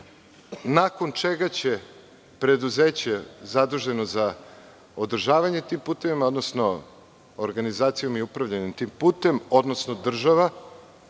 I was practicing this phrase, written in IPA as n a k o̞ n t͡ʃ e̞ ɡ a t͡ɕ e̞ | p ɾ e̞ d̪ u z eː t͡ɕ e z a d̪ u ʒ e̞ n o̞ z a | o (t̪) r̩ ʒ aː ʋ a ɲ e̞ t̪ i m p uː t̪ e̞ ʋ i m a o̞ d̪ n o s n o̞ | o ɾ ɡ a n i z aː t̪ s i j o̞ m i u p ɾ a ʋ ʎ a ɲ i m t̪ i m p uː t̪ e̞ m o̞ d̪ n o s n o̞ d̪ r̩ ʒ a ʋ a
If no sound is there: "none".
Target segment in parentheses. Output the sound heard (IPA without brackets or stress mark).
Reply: d̪